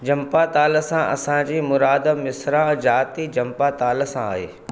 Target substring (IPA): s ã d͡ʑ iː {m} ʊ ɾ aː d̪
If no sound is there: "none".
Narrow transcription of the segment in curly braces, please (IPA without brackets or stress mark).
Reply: m